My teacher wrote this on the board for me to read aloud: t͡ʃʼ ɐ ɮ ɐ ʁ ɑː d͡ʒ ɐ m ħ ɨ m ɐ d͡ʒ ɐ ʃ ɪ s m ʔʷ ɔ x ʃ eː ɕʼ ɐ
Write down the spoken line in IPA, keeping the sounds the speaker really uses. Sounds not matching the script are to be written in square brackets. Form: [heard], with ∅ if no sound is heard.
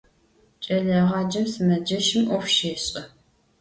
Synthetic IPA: t͡ʃʼ ɐ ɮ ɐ ʁ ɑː d͡ʒ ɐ m [s] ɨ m ɐ d͡ʒ ɐ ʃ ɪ [∅] m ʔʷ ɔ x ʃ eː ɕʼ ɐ